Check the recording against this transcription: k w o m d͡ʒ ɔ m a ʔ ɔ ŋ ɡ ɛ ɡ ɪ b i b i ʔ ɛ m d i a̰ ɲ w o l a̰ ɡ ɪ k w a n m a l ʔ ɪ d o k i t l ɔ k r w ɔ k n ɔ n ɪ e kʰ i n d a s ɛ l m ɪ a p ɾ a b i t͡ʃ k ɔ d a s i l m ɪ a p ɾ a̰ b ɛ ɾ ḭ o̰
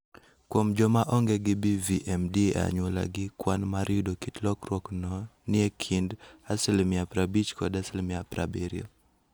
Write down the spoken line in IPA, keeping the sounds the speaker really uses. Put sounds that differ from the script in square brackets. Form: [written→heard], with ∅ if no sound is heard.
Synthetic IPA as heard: k w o m d͡ʒ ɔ m a ʔ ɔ ŋ ɡ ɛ ɡ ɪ b i [b→v] i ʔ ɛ m d i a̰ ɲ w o l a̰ ɡ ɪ k w a n m a [l→ɾ] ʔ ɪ d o k i t l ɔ k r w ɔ k n ɔ n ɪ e kʰ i n d a s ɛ l m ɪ a p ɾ a b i t͡ʃ k ɔ d a s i l m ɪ a p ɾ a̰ b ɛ ɾ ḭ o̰